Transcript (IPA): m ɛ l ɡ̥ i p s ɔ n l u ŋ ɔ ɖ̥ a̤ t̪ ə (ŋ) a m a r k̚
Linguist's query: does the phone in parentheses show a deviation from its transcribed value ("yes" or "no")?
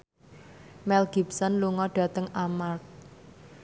no